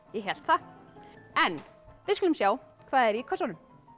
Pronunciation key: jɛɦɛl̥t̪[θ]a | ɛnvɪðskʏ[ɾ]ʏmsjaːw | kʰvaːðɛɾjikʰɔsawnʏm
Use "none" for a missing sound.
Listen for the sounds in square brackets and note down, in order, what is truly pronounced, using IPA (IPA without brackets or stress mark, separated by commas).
θ, l